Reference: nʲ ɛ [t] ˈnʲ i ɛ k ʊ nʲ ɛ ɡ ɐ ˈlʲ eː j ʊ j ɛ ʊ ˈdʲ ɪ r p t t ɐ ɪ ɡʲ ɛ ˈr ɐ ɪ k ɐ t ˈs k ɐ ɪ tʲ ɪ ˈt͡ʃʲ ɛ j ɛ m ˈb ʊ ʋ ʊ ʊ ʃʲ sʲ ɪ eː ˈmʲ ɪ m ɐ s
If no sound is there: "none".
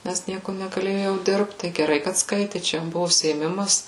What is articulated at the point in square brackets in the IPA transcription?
s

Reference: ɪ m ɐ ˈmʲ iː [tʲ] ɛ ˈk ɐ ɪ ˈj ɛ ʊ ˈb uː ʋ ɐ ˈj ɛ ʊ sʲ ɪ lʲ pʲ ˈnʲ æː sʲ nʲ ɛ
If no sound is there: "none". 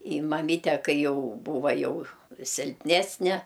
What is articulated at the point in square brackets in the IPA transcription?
tʲ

